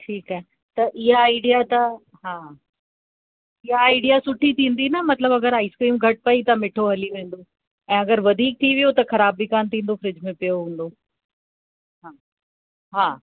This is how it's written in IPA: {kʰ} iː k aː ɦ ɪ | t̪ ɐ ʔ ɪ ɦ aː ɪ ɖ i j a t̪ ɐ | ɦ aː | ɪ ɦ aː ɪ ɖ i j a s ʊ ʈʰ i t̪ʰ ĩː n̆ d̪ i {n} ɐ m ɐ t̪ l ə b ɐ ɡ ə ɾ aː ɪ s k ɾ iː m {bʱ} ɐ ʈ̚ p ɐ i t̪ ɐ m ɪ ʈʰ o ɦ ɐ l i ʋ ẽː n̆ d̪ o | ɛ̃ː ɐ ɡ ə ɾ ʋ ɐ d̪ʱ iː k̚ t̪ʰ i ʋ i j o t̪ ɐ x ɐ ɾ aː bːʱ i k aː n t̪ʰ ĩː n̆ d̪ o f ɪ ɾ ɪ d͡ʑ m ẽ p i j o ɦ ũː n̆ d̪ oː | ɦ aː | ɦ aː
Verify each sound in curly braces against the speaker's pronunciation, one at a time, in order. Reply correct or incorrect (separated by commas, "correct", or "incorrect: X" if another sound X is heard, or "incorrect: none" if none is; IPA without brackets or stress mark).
incorrect: ʈʰ, correct, incorrect: ɡʱ